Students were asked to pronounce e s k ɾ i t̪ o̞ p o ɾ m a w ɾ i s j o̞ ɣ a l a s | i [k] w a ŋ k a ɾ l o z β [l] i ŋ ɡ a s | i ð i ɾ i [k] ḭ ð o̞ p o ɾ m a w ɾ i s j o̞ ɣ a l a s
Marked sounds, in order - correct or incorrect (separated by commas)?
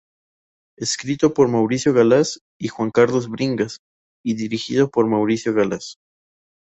incorrect, incorrect, incorrect